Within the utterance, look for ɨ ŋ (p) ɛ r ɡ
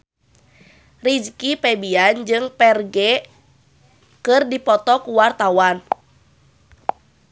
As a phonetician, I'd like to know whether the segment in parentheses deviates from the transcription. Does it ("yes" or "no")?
no